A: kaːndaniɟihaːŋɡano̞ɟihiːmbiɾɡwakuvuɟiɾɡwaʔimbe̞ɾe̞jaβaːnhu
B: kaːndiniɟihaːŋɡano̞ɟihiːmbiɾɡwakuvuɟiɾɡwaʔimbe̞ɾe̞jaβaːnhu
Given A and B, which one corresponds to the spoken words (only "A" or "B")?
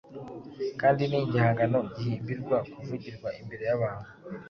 B